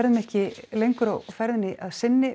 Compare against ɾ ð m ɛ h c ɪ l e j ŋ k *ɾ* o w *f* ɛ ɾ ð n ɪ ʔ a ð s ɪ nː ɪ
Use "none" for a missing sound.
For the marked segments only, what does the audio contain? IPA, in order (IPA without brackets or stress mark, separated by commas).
ɾ, f